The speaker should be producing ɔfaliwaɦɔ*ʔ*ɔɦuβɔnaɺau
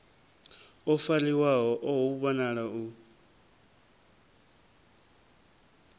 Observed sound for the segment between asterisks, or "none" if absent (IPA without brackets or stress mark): ʔ